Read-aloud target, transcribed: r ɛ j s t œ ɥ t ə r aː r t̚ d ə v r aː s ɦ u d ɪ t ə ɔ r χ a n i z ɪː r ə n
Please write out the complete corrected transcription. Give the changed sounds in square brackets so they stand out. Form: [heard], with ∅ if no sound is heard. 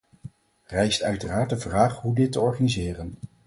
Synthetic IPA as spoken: r ɛ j s t œ ɥ t ə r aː [ɹ] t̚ d ə v r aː [χ] ɦ u d ɪ t ə ɔ [ɹ] χ a n i z ɪː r ə n